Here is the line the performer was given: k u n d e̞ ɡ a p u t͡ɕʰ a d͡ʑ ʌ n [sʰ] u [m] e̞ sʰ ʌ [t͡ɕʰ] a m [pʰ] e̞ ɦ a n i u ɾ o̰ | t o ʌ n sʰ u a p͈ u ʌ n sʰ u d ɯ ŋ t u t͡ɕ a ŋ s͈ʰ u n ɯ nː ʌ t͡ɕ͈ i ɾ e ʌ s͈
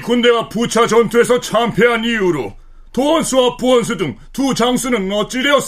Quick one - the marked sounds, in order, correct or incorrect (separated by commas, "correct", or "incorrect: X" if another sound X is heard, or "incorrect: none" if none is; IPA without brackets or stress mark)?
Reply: incorrect: tʰ, incorrect: none, correct, correct